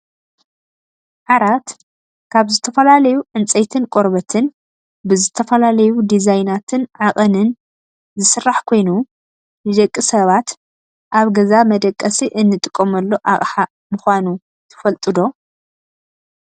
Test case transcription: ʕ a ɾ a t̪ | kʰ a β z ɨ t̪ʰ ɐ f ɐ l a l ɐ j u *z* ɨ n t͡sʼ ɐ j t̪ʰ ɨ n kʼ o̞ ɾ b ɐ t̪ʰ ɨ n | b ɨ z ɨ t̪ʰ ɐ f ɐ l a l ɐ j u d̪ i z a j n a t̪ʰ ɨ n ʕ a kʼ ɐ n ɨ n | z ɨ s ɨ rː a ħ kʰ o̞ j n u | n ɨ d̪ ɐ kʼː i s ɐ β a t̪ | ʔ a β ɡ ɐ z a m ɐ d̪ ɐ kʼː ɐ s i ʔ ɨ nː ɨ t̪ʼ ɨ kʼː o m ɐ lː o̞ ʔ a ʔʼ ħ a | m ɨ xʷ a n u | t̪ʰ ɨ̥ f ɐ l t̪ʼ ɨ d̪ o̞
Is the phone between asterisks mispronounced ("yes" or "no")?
yes